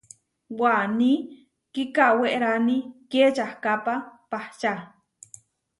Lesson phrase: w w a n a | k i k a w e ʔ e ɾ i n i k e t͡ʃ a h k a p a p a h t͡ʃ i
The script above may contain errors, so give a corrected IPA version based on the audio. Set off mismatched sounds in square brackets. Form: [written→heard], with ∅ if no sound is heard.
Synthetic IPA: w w a n [a→i] | k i k a w e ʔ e ɾ [i→a] n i k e t͡ʃ a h k a p a p a h t͡ʃ [i→a]